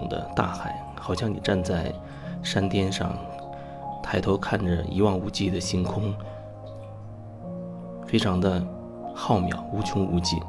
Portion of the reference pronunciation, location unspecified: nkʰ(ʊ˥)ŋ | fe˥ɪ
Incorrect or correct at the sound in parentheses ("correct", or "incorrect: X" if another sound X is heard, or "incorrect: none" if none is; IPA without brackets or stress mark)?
correct